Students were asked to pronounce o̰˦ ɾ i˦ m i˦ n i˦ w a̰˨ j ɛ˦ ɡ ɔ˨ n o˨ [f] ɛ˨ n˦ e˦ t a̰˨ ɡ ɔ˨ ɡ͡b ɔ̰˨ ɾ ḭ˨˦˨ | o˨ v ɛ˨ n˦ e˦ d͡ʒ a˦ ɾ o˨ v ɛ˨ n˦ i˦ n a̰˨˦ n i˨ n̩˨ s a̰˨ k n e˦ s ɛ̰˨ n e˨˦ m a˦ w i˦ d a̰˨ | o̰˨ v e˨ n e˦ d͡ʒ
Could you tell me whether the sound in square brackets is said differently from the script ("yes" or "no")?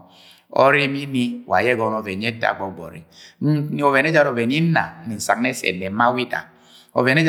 yes